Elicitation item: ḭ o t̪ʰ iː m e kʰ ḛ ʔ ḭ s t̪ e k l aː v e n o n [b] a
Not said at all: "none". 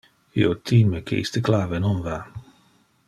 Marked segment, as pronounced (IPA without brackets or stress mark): v